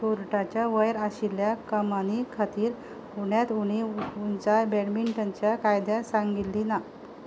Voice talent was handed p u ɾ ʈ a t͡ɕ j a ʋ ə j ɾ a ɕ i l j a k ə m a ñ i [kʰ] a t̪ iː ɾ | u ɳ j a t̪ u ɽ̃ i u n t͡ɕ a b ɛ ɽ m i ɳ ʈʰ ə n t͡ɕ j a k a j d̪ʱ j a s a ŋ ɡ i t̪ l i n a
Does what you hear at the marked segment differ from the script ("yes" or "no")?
no